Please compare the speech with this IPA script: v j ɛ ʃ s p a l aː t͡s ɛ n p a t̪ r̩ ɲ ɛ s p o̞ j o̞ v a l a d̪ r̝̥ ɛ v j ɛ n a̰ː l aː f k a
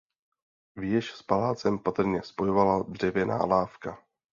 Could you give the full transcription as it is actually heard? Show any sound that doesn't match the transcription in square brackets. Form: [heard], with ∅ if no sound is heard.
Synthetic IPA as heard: v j ɛ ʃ s p a l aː t͡s ɛ [m] p a t̪ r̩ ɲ ɛ s p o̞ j o̞ v a l a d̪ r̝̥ ɛ v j ɛ n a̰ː l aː f k a